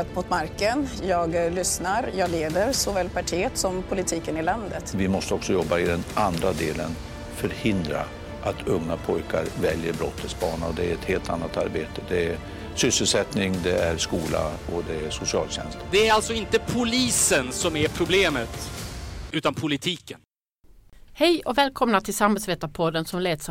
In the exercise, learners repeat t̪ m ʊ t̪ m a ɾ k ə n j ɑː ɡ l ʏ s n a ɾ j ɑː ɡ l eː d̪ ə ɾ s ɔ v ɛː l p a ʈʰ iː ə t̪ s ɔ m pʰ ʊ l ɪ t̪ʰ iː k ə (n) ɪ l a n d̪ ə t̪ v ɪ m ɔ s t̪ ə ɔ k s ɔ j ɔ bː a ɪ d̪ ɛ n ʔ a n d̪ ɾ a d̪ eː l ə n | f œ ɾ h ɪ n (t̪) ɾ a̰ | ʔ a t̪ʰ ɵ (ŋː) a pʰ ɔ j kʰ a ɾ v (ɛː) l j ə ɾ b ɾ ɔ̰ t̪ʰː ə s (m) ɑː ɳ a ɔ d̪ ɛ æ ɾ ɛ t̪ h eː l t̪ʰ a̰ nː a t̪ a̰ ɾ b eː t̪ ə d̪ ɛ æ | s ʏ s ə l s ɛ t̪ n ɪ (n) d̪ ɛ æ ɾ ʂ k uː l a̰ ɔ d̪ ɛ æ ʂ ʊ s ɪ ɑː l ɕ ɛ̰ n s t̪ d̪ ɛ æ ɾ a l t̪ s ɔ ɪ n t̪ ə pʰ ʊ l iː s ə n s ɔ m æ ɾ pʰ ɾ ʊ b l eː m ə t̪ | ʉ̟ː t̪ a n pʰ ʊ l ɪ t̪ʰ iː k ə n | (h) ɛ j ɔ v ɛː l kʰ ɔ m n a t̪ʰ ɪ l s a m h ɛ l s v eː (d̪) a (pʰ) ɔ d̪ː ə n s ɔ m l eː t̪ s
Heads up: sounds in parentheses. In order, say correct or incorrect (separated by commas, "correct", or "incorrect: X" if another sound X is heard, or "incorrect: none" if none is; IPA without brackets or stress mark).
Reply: correct, incorrect: d̪, correct, incorrect: ɛ, incorrect: b, incorrect: ŋ, correct, incorrect: t̪, correct